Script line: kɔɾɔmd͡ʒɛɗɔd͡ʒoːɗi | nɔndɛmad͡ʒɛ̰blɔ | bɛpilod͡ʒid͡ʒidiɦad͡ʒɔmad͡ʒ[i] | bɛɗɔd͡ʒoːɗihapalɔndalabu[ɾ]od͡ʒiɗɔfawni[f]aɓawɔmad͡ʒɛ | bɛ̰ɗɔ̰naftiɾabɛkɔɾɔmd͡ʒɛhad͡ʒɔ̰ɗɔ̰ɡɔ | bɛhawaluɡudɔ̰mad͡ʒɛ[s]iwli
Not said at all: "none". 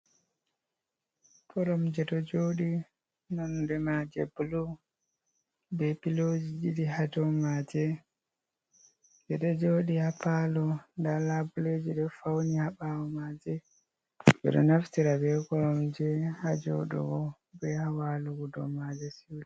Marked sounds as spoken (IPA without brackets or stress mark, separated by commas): ɛ, l, h, s